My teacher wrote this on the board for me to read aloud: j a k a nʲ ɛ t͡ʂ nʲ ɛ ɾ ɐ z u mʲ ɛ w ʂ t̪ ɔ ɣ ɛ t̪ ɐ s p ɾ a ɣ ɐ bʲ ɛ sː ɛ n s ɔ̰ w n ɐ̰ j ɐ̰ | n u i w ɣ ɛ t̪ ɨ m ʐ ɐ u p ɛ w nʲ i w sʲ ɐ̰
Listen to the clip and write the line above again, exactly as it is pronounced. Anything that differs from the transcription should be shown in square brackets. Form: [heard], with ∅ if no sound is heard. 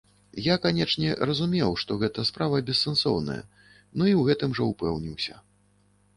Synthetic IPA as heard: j a k a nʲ ɛ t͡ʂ nʲ ɛ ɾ ɐ z u mʲ ɛ w ʂ t̪ ɔ ɣ ɛ t̪ ɐ s p ɾ a [v] ɐ bʲ ɛ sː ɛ n s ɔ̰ w n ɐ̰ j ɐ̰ | n u i w ɣ ɛ t̪ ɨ m ʐ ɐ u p ɛ w nʲ i w sʲ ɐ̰